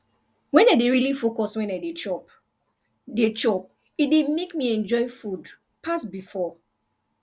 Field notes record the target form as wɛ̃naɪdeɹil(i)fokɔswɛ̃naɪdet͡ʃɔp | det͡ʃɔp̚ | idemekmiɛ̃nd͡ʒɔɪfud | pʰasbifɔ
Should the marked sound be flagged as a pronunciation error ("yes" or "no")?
no